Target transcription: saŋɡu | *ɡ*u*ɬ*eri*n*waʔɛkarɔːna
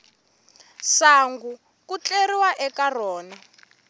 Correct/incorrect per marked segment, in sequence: incorrect, incorrect, incorrect

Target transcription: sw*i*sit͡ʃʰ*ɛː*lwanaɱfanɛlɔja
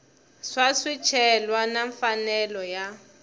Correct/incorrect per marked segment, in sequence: incorrect, incorrect

